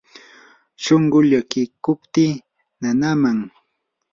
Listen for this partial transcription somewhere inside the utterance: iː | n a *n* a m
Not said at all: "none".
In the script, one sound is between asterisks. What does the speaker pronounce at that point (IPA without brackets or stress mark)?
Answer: n